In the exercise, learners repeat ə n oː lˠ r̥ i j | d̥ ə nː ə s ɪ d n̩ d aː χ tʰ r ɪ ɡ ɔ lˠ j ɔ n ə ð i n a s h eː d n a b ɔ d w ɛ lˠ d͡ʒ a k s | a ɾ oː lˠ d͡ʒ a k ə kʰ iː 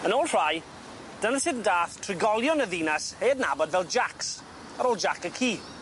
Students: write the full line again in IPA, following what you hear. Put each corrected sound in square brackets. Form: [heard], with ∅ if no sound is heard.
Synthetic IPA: ə n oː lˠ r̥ [a] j | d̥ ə [n] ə s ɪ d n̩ d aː [θ] tʰ r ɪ ɡ ɔ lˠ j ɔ n ə ð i n a s h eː d n a b ɔ d [v] ɛ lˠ d͡ʒ a k s | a ɾ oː lˠ d͡ʒ a k ə kʰ iː